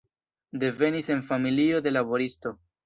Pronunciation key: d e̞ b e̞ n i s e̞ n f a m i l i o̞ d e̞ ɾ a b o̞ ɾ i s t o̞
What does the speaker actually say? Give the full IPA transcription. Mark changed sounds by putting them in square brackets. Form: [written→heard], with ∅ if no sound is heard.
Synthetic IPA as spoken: d e̞ [b→v] e̞ n i s e̞ n f a m i l i o̞ d e̞ [ɾ→l] a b o̞ ɾ i s t o̞